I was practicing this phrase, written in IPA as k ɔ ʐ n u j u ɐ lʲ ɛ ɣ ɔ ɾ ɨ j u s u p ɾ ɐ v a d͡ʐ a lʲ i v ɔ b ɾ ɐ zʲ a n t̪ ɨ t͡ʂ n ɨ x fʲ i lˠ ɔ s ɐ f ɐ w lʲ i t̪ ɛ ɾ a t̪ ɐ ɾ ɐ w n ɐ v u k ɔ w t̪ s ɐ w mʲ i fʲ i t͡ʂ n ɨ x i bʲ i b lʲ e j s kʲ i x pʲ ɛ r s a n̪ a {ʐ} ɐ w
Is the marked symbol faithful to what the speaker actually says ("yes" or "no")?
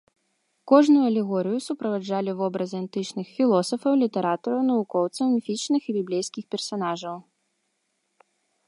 yes